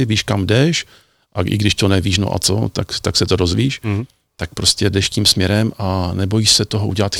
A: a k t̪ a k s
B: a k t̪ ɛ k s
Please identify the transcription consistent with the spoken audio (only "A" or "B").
A